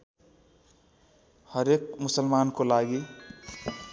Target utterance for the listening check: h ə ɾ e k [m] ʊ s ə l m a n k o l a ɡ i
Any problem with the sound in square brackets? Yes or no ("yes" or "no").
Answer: no